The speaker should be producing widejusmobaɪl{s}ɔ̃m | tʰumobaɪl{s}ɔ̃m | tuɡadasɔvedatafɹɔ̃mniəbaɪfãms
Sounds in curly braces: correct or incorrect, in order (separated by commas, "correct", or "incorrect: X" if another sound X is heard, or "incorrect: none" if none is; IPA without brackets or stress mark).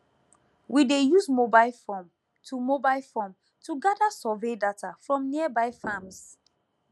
incorrect: f, incorrect: f